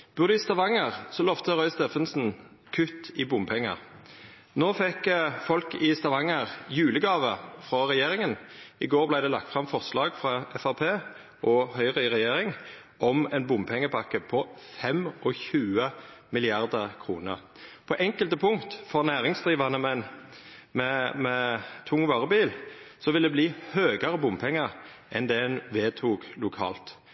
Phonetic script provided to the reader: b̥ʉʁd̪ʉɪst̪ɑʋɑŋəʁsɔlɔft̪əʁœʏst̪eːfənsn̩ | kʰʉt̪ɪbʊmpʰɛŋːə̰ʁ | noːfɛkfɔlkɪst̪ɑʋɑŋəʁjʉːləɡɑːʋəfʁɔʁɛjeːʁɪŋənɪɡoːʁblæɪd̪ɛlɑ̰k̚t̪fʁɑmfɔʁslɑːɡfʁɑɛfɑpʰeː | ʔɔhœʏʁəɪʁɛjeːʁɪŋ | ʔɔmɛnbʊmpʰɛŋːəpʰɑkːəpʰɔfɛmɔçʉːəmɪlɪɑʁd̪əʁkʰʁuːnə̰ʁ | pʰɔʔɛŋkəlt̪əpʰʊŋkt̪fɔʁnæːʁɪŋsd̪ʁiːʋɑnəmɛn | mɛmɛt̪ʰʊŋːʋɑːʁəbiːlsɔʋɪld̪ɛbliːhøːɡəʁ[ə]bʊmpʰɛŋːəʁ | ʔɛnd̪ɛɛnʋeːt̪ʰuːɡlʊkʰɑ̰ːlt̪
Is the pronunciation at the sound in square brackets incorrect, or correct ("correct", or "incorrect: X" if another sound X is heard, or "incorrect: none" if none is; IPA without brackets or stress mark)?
correct